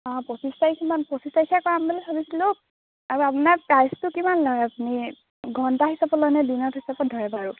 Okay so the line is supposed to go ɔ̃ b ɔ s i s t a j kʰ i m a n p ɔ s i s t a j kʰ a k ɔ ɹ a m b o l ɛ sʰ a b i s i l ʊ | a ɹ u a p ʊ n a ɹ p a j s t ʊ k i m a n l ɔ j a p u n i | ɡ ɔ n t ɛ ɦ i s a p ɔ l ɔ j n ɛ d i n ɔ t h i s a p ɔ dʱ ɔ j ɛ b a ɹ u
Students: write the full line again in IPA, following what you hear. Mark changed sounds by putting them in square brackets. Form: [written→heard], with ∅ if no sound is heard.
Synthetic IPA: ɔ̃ [b→p] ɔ s i s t a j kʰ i m a n p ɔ s i s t a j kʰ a k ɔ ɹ a m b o l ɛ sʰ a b i s i l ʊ | a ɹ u a p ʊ n a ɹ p a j s t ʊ k i m a n l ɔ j a p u n i | ɡ ɔ n t [ɛ→a] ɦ i s a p ɔ l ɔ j n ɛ d i n ɔ t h i s a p ɔ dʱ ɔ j ɛ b a ɹ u